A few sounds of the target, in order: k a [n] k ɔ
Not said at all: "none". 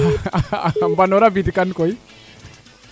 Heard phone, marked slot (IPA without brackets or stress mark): n